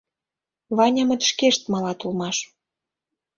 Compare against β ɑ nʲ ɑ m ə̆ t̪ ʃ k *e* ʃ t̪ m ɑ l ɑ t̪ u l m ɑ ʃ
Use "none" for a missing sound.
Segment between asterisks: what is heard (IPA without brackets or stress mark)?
e